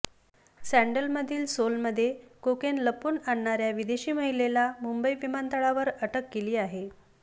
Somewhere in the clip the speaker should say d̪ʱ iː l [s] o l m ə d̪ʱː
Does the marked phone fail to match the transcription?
no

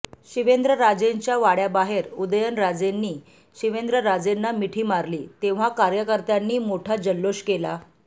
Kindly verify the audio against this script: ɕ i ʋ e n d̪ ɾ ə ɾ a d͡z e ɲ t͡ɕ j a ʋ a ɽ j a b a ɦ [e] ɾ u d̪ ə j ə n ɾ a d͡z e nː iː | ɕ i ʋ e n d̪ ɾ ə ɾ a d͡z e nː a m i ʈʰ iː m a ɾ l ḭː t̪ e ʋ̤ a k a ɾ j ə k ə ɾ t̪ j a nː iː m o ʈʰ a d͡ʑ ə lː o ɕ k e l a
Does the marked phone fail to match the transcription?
no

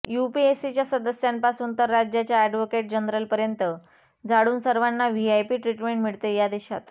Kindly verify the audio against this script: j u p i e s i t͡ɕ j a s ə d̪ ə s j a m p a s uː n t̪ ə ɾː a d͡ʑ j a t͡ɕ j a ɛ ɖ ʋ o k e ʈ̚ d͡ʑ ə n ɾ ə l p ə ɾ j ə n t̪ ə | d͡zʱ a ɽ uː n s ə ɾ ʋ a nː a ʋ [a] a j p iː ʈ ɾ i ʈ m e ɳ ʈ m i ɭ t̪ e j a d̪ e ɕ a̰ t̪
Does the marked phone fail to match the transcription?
yes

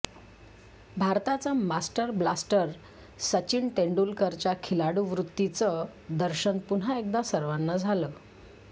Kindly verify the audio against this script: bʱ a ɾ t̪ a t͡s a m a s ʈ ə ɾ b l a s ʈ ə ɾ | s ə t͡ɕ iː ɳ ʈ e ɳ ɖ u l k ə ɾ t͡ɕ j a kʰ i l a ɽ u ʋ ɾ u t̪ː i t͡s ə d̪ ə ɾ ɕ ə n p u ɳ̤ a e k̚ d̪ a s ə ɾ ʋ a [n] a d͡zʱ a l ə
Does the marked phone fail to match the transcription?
yes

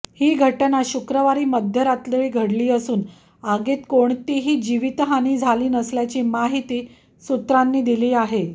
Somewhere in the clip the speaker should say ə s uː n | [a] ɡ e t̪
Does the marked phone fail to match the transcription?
no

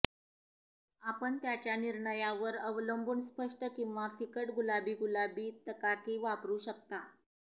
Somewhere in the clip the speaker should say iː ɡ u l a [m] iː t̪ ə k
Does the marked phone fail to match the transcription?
yes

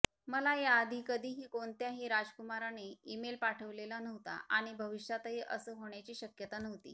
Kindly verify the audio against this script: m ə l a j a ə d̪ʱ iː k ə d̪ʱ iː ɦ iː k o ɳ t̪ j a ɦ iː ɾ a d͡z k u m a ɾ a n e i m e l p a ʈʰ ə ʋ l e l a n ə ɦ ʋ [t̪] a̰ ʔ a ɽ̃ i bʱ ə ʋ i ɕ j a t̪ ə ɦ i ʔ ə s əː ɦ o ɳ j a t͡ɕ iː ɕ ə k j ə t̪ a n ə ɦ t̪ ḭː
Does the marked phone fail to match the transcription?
no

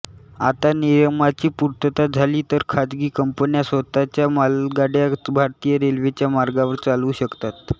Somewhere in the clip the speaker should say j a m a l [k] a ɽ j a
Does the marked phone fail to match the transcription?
yes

